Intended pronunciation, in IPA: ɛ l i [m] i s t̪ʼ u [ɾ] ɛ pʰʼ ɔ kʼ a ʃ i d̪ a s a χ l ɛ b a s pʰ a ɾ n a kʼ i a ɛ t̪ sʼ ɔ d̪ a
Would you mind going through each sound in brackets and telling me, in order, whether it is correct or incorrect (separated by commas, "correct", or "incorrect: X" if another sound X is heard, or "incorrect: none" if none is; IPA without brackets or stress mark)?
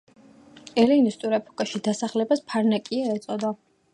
incorrect: n, correct